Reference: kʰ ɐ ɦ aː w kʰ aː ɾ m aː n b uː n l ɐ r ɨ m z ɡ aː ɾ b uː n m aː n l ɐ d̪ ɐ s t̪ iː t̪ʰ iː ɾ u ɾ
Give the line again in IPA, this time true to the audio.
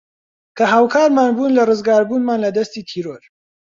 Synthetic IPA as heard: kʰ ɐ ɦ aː w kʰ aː ɾ m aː n b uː n l ɐ r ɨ z ɡ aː ɾ b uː n m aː n l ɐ d̪ ɐ s t̪ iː t̪ʰ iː ɾ o ɾ